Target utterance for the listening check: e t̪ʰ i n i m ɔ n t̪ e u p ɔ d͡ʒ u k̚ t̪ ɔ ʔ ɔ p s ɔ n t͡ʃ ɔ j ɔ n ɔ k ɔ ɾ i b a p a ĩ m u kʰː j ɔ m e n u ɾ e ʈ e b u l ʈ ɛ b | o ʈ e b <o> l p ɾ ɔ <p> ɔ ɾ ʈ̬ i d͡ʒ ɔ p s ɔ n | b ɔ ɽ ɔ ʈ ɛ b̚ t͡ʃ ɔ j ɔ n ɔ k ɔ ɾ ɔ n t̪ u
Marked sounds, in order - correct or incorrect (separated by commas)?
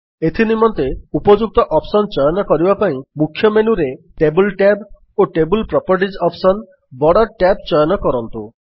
incorrect, correct